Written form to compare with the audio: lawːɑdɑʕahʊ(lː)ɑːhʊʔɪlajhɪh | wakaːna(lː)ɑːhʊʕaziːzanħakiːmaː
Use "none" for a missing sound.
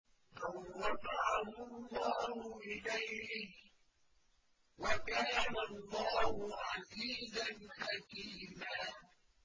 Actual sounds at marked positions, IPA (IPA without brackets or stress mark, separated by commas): lː, lː